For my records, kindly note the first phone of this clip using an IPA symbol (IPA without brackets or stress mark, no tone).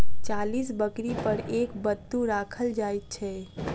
t͡ʃ